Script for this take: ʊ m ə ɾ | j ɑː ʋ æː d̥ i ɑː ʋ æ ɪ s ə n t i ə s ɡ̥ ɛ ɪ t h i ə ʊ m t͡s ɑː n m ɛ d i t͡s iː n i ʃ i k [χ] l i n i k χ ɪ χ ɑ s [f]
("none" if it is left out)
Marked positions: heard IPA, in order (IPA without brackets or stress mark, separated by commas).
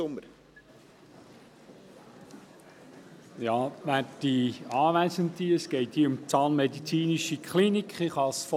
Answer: χ, f